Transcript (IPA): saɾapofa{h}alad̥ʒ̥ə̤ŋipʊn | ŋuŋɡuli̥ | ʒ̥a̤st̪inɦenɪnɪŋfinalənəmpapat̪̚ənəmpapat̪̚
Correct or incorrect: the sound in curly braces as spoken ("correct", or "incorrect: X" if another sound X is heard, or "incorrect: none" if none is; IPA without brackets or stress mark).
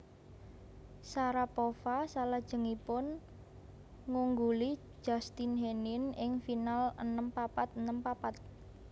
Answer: incorrect: s